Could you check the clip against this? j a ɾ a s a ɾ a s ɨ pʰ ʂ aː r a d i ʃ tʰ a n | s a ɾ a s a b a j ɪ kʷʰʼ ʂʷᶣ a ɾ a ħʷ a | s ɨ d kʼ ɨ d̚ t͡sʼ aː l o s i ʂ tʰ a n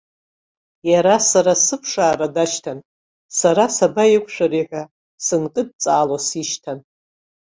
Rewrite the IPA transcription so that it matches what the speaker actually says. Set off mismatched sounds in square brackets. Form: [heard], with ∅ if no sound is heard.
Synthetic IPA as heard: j a ɾ a s a ɾ a s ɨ pʰ ʂ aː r a d [a] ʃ tʰ a n | s a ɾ a s a b a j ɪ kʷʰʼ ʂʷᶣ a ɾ [i] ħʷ a | s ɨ [n] kʼ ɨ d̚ t͡sʼ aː l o s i [ʃ] tʰ a n